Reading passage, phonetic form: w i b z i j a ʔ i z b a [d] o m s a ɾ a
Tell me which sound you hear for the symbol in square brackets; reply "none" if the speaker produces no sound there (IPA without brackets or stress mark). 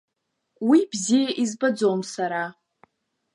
d͡z